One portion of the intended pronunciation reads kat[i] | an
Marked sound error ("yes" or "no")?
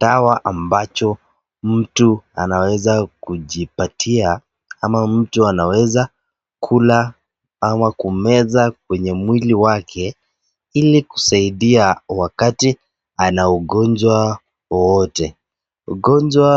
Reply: no